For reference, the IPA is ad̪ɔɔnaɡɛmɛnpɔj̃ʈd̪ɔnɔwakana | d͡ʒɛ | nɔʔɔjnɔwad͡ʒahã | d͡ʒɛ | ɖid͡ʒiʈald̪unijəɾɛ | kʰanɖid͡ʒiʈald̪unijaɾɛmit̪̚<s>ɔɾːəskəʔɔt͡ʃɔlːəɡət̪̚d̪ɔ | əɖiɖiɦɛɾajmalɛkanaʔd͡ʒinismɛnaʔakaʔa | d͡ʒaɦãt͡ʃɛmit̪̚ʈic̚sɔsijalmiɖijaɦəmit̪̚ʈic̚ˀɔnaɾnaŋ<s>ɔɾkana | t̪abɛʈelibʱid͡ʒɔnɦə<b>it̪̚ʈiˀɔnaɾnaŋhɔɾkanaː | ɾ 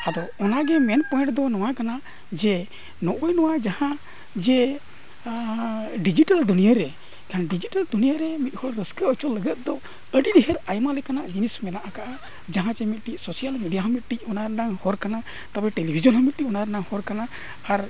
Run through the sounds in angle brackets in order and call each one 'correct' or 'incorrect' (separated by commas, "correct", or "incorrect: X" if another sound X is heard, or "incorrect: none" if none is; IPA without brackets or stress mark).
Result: incorrect: h, incorrect: h, incorrect: m